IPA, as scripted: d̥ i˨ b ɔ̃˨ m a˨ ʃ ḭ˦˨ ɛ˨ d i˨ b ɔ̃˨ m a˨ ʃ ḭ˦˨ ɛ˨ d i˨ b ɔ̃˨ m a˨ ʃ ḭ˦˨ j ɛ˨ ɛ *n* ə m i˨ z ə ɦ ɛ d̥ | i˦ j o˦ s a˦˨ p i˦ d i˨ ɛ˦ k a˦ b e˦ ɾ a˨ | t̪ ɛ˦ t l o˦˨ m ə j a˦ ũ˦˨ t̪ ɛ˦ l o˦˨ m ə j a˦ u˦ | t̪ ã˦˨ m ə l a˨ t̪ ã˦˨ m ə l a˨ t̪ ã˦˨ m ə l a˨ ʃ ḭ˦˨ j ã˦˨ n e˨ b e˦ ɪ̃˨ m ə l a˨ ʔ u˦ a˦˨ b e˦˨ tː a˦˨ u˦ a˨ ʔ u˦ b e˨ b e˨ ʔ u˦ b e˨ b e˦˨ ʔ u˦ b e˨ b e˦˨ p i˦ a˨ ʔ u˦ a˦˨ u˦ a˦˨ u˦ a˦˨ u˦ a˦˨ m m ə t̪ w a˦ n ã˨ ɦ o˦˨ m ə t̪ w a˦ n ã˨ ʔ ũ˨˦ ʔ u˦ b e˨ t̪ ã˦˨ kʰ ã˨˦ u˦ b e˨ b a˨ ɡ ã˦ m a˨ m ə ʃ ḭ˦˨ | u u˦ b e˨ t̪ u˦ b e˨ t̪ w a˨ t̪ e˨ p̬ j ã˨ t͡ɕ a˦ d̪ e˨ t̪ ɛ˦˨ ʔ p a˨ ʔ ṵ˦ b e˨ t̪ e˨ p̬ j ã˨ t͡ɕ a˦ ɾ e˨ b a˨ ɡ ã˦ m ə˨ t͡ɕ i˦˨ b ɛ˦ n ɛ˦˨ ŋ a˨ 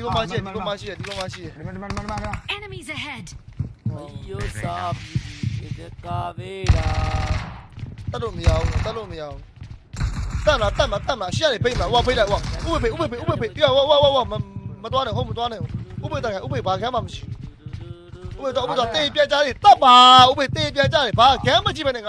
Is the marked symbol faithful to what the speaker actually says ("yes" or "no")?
yes